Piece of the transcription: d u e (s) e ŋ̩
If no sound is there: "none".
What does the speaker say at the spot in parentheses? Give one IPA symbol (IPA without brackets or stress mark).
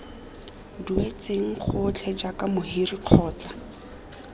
t͡s